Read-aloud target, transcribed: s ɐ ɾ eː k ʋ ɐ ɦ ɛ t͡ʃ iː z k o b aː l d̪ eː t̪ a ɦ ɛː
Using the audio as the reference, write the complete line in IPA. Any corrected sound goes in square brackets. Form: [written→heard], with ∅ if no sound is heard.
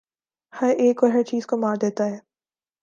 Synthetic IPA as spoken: [s→h] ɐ ɾ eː k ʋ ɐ ɦ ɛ t͡ʃ iː z k o [b→m] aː [l→ɾ] d̪ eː t̪ a ɦ ɛː